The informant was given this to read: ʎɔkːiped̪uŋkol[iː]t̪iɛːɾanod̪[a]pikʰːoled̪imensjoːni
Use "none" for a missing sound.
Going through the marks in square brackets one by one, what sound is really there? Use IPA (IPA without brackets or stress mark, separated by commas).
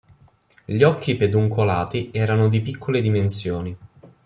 aː, i